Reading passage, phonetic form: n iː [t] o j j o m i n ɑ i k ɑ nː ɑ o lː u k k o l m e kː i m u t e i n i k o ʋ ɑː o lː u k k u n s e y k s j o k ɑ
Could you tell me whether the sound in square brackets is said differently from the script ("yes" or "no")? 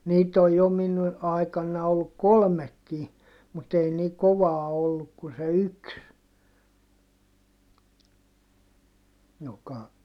no